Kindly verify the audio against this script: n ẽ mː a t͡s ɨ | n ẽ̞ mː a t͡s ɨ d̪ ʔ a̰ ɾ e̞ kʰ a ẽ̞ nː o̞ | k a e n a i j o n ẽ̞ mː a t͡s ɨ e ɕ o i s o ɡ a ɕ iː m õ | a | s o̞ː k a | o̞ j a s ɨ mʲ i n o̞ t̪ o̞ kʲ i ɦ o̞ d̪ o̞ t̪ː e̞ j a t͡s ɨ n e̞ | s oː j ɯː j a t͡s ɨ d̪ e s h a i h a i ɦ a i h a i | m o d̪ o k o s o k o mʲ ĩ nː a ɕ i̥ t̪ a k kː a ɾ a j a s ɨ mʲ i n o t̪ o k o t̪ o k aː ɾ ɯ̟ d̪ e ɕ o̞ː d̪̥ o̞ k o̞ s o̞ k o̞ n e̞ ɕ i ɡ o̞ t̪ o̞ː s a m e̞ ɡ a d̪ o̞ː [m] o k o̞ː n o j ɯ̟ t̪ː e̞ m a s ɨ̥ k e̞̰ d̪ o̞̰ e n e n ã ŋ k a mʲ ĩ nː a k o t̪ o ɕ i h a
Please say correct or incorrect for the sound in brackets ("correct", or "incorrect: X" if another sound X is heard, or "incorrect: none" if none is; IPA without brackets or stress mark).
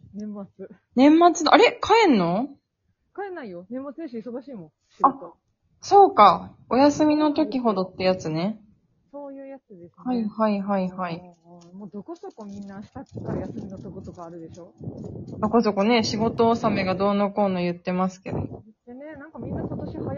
incorrect: n